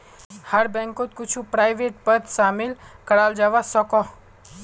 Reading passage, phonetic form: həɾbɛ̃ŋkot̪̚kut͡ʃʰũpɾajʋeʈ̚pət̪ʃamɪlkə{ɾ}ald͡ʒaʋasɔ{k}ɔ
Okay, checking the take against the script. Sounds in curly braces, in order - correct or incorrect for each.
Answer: incorrect: ɽ, correct

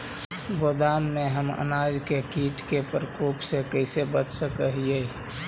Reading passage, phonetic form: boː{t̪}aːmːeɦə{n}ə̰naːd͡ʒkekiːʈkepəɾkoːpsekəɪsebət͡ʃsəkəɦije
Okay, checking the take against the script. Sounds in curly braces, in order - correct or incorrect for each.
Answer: incorrect: d̪, incorrect: m

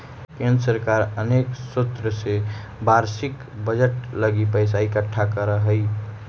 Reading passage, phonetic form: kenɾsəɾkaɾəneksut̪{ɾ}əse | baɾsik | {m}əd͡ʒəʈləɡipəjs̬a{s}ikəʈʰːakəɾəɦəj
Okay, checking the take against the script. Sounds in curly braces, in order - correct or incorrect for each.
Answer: correct, incorrect: b, incorrect: none

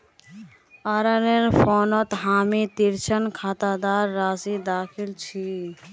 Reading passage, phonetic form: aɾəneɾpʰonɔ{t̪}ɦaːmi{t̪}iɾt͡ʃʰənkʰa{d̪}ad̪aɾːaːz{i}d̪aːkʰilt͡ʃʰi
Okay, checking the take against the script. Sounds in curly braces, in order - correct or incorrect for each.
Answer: correct, correct, incorrect: t̪, correct

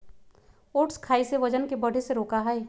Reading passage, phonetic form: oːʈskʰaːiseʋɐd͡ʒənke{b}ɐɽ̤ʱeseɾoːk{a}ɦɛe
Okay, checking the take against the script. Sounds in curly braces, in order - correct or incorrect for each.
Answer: correct, correct

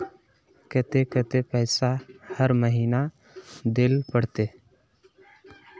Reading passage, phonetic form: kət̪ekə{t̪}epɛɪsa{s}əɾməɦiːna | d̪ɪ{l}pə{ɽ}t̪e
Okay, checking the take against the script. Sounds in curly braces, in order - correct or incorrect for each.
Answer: correct, incorrect: h, correct, correct

